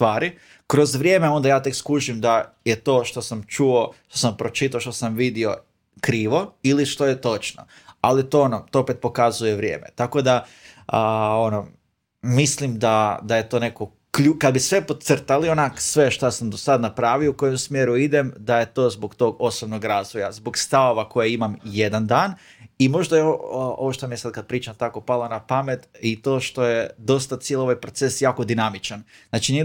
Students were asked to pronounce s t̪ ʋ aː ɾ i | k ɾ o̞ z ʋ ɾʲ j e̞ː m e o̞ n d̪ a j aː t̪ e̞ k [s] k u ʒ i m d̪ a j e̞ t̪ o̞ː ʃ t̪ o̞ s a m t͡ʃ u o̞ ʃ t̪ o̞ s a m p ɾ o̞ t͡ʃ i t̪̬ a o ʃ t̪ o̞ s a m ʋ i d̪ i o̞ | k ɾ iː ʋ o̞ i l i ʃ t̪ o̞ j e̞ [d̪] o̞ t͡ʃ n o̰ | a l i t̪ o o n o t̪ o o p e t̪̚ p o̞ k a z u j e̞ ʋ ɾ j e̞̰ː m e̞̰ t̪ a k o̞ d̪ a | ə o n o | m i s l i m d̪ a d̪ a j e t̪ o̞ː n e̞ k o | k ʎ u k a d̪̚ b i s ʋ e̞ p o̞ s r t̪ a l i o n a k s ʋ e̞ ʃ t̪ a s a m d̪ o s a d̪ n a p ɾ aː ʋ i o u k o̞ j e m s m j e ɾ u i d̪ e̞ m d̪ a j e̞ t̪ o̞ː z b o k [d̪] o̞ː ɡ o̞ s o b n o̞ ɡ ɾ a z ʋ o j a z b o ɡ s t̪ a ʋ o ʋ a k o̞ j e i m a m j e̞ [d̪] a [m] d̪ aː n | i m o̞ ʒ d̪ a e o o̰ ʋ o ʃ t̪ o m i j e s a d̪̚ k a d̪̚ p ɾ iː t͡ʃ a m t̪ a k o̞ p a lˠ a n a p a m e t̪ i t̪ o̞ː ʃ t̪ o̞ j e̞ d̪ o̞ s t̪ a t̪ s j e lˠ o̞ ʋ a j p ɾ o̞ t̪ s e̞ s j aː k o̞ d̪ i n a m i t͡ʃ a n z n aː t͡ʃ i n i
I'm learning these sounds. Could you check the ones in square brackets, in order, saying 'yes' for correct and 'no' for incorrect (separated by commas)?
yes, no, no, yes, no